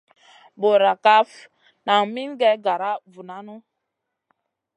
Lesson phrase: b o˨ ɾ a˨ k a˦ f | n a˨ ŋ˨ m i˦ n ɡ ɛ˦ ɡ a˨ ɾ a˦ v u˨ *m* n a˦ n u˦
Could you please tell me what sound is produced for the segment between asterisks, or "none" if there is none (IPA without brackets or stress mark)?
none